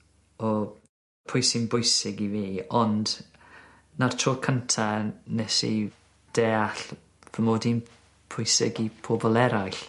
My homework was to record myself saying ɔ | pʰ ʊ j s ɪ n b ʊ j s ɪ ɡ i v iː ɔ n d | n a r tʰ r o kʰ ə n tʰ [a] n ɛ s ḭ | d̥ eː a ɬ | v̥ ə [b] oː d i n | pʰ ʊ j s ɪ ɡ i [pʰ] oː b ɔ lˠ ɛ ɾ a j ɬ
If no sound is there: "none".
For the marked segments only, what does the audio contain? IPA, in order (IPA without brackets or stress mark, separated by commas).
a, m, pʰ